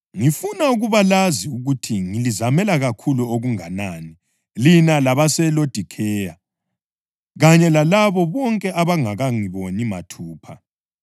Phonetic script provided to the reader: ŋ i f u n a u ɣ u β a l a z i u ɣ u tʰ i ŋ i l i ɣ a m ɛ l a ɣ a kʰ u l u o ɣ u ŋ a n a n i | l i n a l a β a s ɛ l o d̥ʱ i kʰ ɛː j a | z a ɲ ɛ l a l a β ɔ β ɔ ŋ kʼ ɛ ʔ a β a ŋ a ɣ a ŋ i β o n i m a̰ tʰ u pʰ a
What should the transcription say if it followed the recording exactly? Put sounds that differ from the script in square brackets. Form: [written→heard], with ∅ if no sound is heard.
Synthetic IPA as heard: ŋ i f u n a u ɣ u β a l a z i u ɣ u tʰ i ŋ i l i [ɣ→z] a m ɛ l a ɣ a kʰ u l u o ɣ u ŋ a n a n i | l i n a l a β a s ɛ l o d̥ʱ i kʰ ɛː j a | [z→ɣ] a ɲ ɛ l a l a β ɔ β ɔ ŋ kʼ ɛ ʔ a β a ŋ a ɣ a ŋ i β o n i m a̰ tʰ [u→uː] pʰ a